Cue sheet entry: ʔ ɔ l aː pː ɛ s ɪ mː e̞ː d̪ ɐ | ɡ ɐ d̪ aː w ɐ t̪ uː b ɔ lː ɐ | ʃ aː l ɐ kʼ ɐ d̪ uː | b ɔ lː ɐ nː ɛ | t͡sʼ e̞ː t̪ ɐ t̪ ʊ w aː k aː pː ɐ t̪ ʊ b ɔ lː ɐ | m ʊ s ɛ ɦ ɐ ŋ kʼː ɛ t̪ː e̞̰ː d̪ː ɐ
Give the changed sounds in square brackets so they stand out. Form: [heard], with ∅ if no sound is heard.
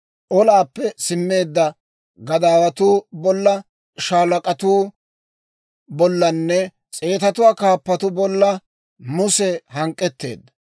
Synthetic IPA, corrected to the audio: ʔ ɔ l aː pː ɛ s ɪ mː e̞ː [d̪ː] ɐ | ɡ ɐ d̪ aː w ɐ t̪ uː b ɔ lː ɐ | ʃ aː l ɐ kʼ ɐ [t̪] uː | b ɔ lː ɐ nː ɛ | t͡sʼ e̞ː t̪ ɐ t̪ ʊ w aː k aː pː ɐ t̪ ʊ b ɔ lː ɐ | m ʊ s ɛ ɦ ɐ ŋ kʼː ɛ t̪ː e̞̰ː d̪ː ɐ